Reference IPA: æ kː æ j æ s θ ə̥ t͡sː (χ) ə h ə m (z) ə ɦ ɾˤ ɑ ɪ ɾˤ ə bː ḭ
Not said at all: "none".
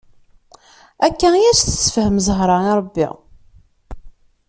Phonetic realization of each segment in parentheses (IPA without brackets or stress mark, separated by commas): f, z